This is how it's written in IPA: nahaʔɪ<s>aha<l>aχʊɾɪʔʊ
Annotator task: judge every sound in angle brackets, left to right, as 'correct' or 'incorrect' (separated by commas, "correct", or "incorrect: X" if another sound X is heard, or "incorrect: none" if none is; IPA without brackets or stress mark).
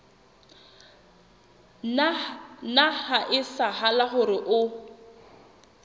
correct, correct